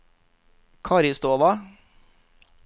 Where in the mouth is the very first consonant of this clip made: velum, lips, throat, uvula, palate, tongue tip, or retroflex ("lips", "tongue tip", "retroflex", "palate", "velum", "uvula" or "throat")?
velum